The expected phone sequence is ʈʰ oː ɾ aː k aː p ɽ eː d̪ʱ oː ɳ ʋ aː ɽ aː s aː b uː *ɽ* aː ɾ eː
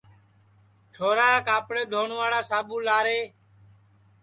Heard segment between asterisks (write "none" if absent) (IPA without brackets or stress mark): l